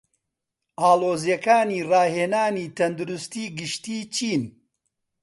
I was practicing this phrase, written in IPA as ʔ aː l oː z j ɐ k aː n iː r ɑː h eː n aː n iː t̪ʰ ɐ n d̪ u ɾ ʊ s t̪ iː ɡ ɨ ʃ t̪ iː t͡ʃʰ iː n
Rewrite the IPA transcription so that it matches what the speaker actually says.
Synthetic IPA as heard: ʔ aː l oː z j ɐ k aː n iː r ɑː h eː n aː n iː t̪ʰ ɐ n d̪ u ɾ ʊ s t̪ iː ɡ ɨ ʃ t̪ iː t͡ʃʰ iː n